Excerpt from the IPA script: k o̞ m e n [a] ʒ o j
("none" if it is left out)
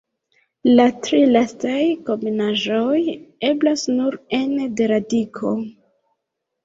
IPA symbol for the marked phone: a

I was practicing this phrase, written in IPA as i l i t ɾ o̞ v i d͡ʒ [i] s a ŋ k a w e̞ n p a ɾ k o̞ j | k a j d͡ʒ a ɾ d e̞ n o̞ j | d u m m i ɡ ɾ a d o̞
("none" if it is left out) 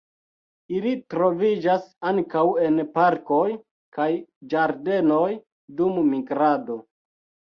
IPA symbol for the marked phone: a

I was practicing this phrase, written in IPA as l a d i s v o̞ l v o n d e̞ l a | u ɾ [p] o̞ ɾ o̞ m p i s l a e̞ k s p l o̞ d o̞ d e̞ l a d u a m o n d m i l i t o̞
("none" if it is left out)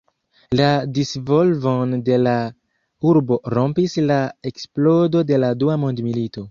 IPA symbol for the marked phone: b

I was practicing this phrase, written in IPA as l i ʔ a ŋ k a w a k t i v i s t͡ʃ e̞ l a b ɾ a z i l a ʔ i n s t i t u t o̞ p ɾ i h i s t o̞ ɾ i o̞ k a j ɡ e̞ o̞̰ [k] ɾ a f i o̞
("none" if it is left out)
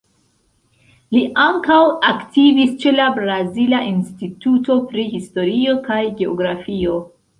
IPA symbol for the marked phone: ɡ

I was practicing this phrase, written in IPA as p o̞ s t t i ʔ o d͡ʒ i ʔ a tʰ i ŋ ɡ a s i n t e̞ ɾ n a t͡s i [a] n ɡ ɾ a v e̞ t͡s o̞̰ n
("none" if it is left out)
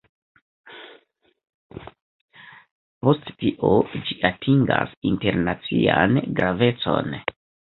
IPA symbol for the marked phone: a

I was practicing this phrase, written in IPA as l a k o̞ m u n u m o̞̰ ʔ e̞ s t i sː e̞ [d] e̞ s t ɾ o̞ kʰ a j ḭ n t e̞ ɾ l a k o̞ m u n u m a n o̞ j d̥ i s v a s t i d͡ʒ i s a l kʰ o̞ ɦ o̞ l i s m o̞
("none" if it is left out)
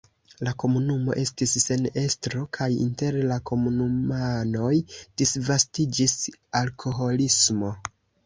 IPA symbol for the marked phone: n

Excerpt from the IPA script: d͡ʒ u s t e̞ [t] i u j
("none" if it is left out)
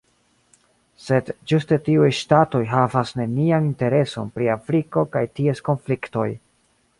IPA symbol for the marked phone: t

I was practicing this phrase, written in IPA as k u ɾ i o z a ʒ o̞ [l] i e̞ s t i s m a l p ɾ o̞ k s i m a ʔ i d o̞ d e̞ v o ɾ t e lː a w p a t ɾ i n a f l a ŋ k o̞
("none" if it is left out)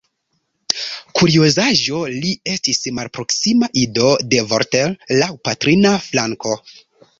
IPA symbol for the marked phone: l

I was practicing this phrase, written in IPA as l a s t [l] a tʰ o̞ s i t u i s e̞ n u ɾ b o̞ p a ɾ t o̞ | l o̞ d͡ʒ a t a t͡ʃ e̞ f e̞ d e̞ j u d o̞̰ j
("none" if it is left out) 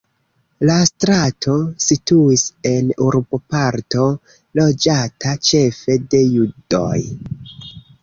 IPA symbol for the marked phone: ɾ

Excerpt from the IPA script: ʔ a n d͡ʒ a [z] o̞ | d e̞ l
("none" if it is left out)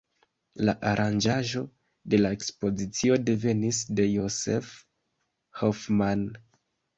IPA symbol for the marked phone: ʒ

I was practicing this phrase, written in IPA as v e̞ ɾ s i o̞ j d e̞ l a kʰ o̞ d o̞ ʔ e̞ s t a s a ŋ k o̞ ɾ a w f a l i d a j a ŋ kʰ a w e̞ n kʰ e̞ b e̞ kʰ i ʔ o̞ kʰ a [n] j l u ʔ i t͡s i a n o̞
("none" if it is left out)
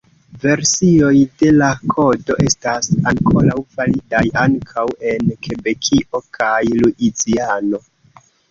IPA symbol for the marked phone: none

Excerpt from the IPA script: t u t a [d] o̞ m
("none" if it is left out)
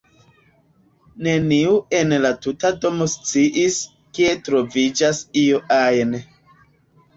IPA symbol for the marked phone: d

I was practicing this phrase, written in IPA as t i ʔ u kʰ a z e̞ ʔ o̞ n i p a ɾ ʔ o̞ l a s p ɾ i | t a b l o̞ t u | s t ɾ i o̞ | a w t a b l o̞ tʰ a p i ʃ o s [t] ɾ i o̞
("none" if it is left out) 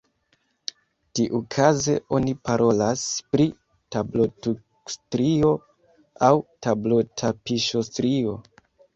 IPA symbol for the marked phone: t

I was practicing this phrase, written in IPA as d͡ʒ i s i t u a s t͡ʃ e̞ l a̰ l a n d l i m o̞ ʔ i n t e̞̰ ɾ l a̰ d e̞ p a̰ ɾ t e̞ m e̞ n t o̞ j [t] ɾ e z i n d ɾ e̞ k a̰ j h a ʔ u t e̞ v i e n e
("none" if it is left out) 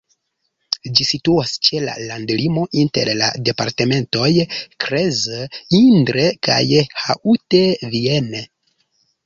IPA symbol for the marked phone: k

